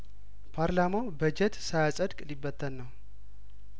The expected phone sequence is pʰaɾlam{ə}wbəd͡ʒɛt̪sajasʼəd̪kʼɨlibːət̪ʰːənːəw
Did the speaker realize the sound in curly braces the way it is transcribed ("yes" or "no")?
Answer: no